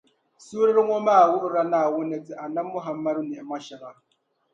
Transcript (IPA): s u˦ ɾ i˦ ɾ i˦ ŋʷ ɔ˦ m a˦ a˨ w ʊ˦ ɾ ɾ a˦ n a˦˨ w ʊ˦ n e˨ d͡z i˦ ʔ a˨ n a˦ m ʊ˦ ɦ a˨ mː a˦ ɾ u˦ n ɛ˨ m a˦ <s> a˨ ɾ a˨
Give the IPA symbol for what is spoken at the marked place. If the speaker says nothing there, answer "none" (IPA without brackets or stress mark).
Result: ʃ